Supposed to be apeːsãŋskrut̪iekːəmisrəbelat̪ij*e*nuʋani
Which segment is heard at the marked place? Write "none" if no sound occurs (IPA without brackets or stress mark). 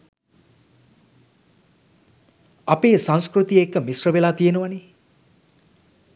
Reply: e